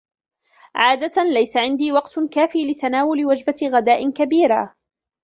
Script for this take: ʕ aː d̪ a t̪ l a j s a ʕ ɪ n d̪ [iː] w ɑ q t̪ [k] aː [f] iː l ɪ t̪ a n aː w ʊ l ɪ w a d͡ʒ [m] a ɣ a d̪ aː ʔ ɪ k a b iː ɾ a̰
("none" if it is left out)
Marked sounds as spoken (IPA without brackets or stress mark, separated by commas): iː, k, f, b